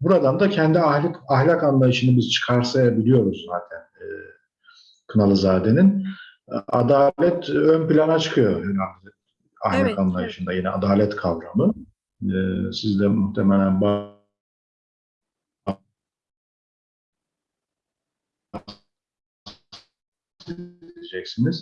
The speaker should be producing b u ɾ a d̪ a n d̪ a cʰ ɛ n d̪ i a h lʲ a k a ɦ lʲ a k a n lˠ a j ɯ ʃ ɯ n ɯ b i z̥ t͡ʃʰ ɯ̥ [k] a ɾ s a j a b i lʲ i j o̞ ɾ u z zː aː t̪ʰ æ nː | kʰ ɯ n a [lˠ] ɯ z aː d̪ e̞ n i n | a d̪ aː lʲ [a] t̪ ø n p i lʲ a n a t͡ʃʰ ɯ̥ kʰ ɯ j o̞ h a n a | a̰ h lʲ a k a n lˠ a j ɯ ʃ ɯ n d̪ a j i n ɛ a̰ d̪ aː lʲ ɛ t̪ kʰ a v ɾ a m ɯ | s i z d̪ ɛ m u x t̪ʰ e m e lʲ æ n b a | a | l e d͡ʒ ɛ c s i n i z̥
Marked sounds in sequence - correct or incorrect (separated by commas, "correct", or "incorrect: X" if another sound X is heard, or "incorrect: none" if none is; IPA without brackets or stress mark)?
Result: incorrect: kʰ, correct, incorrect: ɛ